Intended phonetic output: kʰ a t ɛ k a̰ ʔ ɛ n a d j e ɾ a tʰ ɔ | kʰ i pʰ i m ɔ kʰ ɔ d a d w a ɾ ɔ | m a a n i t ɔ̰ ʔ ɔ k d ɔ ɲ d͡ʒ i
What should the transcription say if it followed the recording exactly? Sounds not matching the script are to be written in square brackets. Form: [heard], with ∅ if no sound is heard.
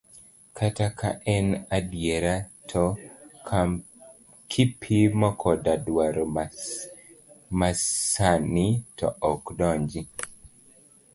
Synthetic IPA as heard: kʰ a t [a] k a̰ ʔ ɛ n a d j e ɾ a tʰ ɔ | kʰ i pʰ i m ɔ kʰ ɔ d a d w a ɾ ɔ | m a a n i t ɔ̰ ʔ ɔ k d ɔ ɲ d͡ʒ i